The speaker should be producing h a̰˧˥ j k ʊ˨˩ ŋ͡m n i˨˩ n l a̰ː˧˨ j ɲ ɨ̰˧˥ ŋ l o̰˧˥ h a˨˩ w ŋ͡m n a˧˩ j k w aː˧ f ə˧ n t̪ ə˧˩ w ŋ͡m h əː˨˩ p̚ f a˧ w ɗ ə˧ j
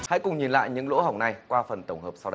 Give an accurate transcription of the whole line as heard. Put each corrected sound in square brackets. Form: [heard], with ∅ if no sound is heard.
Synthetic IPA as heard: h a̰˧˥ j k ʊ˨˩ ŋ͡m [ɲ] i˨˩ n l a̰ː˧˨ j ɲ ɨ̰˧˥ ŋ l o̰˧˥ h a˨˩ w ŋ͡m n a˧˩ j k w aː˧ f [ə˨˩] n t̪ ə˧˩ w ŋ͡m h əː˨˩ p̚ [s] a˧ w ɗ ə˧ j